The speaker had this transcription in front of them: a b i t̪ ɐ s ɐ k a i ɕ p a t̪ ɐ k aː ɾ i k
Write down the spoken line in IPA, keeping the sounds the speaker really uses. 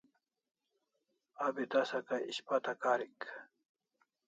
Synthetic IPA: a b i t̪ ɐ s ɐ k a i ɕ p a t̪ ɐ k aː ɾ i k